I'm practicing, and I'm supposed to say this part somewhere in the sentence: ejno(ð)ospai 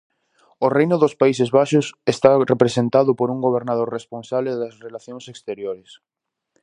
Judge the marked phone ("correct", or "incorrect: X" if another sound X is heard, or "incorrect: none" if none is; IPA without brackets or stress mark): correct